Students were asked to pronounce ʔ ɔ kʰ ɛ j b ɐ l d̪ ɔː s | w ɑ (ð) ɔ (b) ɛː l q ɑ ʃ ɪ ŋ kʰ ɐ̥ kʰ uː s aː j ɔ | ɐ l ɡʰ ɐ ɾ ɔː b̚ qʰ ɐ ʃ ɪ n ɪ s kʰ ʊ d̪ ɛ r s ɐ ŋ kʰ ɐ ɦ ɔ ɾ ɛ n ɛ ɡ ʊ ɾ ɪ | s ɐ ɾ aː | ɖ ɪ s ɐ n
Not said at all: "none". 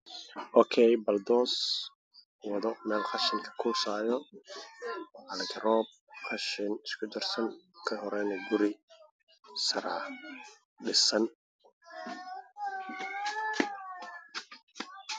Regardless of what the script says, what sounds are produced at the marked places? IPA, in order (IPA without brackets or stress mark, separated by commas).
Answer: ð, m